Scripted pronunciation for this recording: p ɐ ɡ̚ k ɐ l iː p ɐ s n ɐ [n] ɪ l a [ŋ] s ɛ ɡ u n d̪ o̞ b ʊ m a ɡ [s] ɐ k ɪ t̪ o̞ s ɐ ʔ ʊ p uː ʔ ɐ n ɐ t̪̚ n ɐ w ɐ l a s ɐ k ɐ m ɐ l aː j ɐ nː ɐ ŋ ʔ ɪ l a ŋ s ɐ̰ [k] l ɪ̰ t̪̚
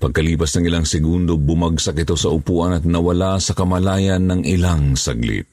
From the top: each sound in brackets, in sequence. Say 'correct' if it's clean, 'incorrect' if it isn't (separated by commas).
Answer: incorrect, correct, correct, incorrect